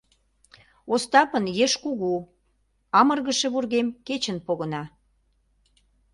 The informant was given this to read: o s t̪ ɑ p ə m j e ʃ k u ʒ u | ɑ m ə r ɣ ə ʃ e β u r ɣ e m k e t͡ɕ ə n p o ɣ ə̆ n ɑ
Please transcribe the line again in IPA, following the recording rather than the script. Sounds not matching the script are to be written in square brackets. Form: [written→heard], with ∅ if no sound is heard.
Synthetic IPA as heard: o s t̪ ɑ p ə [m→n] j e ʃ k u [ʒ→ɣ] u | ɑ m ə r ɣ ə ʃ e β u r ɣ e m k e t͡ɕ ə n p o ɣ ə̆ n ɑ